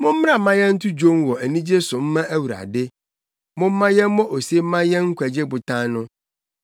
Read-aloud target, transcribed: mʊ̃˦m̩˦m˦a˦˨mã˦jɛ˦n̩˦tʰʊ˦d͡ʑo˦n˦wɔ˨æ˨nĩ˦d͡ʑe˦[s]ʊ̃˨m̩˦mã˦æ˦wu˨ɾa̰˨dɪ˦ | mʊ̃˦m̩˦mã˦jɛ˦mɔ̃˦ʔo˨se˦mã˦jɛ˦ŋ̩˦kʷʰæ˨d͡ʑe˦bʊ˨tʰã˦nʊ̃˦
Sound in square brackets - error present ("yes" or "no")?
no